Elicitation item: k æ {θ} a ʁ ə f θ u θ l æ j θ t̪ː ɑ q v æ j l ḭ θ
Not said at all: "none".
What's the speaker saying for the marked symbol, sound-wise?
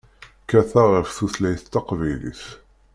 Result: θ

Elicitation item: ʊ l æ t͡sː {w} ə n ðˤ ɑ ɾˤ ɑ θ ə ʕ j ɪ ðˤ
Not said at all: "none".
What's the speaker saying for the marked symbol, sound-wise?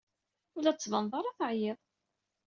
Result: v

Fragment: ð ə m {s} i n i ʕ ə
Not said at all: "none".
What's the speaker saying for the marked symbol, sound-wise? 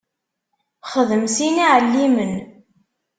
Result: s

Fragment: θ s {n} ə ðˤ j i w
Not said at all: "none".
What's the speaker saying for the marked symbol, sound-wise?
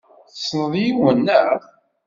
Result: n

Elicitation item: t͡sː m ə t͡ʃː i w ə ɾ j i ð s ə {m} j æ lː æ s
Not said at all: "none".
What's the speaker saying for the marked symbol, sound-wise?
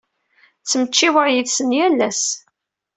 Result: n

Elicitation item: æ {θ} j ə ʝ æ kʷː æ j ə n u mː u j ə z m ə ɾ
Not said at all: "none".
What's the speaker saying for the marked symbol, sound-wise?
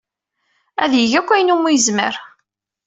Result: ð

